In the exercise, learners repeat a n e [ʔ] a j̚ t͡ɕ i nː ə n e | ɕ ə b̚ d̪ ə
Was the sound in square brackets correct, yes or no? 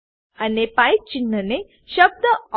no